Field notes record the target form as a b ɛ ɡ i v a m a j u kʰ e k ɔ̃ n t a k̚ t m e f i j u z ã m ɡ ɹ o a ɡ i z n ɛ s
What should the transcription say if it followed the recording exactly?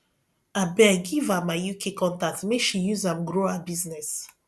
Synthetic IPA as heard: a b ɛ ɡ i v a m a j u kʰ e k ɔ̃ n t a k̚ t m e ʃ i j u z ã m ɡ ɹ o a b i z n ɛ s